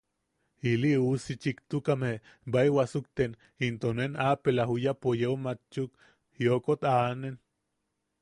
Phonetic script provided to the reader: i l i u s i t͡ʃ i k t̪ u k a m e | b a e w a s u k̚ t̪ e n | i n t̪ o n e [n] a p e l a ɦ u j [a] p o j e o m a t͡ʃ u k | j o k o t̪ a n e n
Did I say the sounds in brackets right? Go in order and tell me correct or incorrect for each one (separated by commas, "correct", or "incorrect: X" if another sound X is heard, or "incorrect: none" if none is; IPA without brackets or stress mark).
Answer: correct, correct